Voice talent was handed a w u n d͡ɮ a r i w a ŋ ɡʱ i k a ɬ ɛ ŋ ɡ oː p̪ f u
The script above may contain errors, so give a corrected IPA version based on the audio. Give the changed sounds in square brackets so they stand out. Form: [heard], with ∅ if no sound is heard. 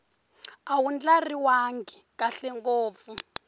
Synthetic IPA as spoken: a w u n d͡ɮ a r i w a ŋ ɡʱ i k a ɬ ɛ ŋ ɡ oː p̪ f u